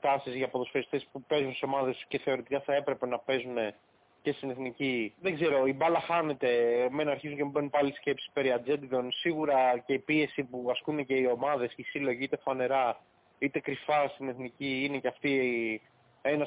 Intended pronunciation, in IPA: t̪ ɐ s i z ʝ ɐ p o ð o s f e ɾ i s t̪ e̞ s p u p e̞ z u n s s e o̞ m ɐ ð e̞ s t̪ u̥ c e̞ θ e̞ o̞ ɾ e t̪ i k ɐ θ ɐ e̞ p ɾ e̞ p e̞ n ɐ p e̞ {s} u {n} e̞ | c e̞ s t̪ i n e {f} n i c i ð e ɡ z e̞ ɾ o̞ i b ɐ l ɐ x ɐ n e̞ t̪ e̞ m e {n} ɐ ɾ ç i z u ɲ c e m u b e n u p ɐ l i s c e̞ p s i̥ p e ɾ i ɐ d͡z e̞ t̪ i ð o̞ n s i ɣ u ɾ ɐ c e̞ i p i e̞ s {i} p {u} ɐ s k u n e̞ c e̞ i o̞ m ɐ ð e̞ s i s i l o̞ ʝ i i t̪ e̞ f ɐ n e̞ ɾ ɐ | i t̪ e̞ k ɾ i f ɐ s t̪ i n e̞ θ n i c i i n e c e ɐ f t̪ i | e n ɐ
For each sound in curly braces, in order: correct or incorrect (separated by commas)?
incorrect, correct, incorrect, correct, correct, correct